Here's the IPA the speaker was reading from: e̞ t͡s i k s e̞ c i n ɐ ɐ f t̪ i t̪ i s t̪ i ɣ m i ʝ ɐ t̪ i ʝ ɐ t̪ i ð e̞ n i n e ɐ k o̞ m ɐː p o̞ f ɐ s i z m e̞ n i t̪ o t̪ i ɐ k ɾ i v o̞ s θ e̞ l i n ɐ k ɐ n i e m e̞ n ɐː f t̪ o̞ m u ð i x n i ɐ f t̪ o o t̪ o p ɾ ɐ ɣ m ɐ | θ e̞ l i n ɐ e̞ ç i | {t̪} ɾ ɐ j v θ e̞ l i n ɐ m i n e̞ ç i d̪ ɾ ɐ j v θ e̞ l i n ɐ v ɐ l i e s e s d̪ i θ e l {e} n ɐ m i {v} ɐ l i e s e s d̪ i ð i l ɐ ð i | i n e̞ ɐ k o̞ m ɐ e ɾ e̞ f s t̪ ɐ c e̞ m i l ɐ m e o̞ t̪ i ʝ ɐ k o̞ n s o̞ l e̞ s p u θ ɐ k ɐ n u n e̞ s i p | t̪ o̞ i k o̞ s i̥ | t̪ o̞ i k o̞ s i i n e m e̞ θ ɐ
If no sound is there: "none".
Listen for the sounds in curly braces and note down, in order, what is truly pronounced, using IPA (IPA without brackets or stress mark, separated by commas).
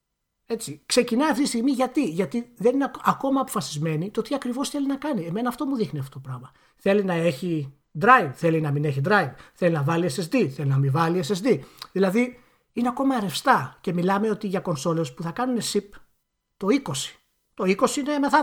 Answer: d̪, i, v